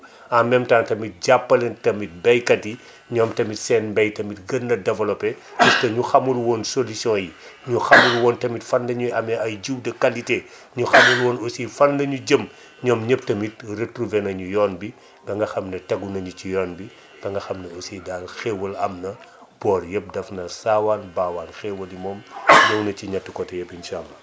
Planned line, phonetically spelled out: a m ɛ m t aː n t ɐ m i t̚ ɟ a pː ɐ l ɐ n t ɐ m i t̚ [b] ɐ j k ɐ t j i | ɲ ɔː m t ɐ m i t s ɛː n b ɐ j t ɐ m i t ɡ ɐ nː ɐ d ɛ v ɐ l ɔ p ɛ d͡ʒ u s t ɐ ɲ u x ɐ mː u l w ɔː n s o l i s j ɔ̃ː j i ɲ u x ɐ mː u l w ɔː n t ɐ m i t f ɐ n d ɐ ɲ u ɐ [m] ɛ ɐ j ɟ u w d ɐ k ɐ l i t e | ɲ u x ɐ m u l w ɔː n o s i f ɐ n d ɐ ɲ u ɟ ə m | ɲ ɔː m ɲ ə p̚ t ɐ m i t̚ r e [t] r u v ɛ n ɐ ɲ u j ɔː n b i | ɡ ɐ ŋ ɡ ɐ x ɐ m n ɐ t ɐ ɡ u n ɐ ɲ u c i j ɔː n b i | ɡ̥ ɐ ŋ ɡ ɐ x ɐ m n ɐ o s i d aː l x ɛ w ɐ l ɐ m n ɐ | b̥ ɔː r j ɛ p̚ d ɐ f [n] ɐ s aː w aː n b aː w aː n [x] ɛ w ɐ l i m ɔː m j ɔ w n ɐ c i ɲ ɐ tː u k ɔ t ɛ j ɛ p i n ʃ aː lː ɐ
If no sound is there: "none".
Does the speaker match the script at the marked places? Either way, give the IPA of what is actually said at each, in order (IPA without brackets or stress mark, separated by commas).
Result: b, m, t, n, x